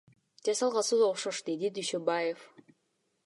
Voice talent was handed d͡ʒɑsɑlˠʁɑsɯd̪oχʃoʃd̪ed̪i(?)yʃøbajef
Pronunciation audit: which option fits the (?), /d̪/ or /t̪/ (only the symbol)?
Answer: d̪